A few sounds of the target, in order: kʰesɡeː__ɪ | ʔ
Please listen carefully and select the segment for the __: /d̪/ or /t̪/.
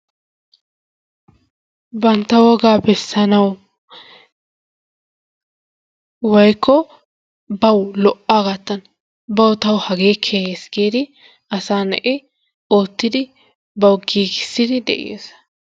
d̪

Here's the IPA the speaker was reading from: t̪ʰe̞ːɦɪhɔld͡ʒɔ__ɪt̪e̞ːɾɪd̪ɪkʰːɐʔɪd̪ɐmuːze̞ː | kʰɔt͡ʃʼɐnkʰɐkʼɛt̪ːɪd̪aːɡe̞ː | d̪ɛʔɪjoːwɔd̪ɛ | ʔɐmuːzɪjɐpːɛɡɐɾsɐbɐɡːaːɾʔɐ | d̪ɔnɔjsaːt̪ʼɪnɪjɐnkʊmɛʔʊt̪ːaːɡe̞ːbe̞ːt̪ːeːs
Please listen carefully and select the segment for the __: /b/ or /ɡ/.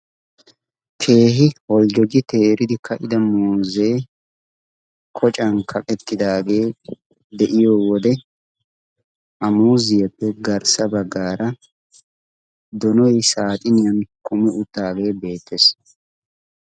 ɡ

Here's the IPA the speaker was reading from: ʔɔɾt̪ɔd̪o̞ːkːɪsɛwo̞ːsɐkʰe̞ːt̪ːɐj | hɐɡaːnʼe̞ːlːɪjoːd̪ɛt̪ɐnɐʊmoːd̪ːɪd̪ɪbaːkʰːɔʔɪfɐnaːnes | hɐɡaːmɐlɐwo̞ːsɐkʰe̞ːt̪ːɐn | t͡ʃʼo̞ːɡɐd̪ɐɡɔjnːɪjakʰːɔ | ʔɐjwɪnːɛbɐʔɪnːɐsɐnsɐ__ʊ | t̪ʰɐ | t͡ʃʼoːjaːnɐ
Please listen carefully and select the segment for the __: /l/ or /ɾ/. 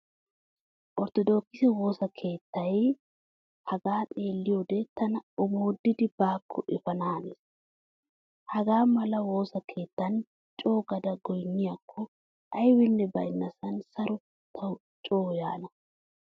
ɾ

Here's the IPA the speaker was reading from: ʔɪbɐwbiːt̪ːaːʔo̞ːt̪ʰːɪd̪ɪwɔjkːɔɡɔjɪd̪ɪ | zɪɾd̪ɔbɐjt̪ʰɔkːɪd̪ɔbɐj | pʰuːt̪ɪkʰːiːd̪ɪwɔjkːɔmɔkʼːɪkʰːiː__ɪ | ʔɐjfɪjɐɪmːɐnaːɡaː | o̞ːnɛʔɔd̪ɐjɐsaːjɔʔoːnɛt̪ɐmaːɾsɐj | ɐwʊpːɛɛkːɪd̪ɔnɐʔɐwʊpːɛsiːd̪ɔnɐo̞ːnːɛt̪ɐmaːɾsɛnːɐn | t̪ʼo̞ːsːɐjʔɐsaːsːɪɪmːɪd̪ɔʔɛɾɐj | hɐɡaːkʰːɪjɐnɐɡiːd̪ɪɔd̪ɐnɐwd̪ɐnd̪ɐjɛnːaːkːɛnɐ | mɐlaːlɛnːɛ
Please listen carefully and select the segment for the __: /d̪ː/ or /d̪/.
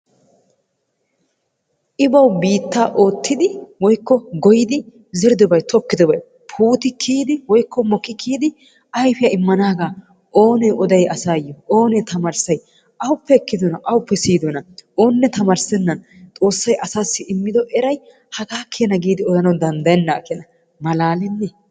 d̪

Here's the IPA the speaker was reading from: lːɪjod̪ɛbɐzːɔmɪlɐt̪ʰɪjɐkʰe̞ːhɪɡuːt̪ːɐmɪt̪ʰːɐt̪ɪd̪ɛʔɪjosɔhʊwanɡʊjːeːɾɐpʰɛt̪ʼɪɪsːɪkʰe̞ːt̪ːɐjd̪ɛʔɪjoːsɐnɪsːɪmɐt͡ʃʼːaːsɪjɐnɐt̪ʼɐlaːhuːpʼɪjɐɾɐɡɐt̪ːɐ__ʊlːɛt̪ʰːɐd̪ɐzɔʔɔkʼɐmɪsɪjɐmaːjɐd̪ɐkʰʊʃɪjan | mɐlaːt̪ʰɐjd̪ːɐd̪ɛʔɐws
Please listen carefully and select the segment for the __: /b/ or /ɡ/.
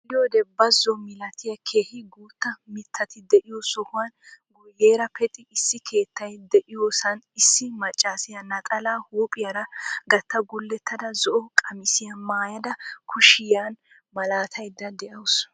ɡ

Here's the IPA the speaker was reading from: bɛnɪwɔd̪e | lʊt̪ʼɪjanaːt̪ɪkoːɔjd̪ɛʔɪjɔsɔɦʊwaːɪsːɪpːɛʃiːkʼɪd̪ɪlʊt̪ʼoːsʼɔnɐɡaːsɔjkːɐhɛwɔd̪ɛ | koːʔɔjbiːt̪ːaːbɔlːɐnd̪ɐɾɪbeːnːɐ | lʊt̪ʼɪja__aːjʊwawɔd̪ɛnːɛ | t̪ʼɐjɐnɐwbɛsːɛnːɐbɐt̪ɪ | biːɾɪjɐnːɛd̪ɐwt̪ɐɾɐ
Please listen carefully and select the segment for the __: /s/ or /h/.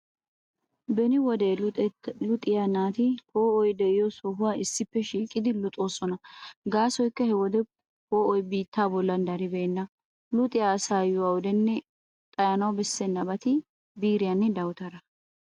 s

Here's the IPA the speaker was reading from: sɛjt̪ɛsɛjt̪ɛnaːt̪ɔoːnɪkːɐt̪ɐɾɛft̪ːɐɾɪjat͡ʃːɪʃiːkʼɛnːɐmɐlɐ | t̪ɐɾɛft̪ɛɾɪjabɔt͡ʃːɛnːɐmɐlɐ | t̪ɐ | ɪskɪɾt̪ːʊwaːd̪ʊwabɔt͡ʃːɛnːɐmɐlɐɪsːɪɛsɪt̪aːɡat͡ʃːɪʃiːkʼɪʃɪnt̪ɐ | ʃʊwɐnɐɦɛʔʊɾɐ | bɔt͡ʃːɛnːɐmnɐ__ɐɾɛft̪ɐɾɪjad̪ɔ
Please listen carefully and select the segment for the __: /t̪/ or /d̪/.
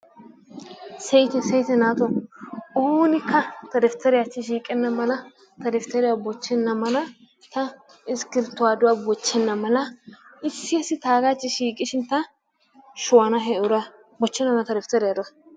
t̪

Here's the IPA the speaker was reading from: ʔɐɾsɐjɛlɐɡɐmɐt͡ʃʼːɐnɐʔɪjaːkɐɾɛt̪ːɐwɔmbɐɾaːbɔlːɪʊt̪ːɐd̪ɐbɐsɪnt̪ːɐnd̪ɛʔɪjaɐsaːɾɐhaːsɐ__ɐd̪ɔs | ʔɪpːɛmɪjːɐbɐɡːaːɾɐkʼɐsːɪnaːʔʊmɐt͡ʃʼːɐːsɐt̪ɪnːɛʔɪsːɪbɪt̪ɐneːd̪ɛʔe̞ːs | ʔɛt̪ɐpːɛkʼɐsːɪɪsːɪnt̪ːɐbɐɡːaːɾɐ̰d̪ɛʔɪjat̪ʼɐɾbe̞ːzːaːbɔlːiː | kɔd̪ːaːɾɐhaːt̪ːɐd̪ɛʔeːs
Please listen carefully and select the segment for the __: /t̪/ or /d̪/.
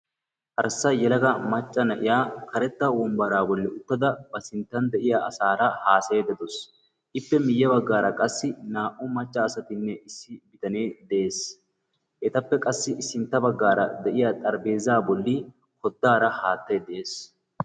d̪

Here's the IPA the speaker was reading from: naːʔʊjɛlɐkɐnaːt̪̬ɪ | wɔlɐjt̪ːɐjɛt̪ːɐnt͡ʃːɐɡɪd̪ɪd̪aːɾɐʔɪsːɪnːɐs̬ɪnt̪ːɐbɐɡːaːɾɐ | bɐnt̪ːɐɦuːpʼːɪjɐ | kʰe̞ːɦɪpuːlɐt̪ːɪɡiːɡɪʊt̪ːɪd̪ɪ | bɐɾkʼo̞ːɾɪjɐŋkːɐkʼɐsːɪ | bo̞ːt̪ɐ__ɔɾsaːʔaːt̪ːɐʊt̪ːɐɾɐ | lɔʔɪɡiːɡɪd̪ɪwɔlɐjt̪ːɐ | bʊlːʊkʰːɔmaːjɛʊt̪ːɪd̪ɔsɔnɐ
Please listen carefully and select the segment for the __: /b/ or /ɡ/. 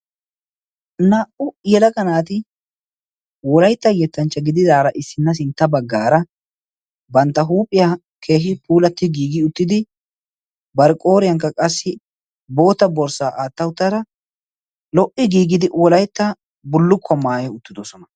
b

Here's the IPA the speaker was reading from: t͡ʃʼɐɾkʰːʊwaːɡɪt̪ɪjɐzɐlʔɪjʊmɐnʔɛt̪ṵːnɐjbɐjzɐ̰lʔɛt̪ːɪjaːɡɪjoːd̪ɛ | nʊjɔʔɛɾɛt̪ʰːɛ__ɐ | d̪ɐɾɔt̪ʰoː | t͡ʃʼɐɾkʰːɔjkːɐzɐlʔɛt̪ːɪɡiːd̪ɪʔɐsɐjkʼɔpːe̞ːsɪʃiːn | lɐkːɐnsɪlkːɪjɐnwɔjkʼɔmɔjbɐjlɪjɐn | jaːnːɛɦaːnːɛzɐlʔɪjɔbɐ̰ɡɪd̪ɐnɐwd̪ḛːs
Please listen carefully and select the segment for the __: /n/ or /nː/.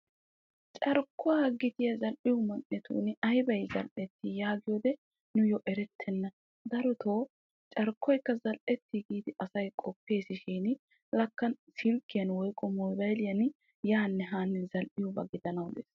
nː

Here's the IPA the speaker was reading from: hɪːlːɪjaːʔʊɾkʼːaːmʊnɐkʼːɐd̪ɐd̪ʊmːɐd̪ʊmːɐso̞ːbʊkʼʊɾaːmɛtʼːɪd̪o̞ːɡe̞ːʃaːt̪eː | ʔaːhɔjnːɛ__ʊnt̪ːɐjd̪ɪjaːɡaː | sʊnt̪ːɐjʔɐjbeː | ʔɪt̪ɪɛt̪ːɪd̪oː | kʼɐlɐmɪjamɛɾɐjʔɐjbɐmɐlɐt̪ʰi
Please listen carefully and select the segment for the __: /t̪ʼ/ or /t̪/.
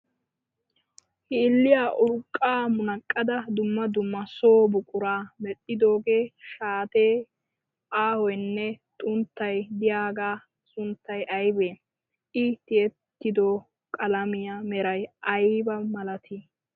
t̪ʼ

